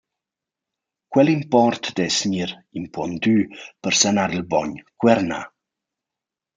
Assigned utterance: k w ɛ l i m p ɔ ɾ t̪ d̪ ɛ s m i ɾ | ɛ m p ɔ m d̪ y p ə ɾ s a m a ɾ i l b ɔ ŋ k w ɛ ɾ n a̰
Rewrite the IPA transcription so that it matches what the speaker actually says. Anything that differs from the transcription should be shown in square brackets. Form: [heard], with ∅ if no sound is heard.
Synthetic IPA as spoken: k w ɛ l i m p ɔ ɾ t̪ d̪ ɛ s [ɲ] i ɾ | [i] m p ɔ [n] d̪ y p ə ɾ s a [n] a ɾ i l b ɔ [ɲ] k w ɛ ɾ n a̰